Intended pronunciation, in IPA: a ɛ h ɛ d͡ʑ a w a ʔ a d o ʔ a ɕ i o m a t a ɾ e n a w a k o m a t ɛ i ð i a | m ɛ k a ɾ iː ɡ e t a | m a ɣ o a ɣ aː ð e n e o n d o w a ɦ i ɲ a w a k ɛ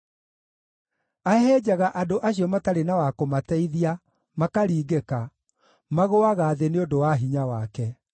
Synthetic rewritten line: a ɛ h ɛ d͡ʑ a ɣ a ʔ a d o ʔ a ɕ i ɔ m a t a ɾ e n a w a k o m a t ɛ i ð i a | m a k a ɾ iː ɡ e k a | m a ɣ o a ɣ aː ð e n e o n d o w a ɦ i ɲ a w a k ɛ